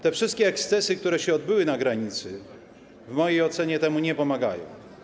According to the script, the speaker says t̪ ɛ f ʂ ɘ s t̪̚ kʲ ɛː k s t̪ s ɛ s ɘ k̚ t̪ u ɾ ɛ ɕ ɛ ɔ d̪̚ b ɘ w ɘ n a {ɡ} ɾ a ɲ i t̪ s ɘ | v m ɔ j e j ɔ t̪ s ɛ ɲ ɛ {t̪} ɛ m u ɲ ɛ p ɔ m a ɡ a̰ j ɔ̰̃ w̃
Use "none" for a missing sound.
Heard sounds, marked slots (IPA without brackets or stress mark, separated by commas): ɡ, t̪